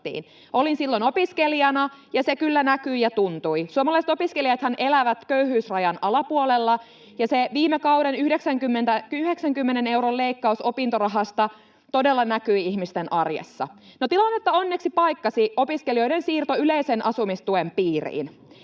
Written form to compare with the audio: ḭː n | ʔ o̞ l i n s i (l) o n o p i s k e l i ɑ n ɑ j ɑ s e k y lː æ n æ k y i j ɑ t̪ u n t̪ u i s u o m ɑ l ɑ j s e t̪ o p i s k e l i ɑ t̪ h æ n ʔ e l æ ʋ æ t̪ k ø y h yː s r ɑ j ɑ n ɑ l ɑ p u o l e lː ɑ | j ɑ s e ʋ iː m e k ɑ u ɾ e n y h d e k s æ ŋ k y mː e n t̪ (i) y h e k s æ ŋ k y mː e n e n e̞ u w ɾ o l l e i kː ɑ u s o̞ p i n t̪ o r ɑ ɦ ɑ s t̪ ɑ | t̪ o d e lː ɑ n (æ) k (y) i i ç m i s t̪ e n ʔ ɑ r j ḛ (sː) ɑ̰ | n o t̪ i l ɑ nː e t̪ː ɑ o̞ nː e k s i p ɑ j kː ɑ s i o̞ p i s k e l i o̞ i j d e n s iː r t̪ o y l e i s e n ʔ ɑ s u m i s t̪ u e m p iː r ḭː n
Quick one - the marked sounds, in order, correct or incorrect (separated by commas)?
incorrect, incorrect, correct, correct, correct